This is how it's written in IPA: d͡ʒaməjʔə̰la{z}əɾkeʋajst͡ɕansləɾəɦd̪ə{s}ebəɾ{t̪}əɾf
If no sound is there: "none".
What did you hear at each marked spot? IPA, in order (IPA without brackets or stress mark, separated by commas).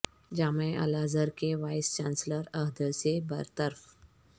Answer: z, s, t̪